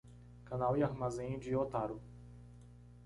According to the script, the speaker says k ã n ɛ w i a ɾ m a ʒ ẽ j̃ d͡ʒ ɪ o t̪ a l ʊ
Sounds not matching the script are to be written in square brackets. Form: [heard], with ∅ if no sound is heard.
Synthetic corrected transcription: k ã n [a] w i a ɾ m a [z] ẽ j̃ d͡ʒ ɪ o t̪ a [ɾ] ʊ